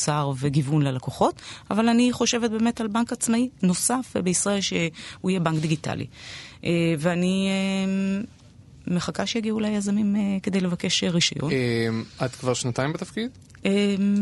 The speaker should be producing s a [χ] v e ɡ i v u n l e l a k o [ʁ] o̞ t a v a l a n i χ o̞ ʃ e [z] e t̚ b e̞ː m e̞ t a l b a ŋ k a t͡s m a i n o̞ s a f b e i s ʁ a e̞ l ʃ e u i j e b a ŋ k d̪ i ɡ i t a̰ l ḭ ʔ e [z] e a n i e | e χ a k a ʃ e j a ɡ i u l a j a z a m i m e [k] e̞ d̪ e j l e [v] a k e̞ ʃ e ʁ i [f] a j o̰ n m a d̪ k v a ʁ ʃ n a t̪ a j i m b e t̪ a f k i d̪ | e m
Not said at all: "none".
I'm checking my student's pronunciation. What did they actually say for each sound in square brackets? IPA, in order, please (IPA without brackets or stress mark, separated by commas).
ʁ, χ, v, v, k, v, ʃ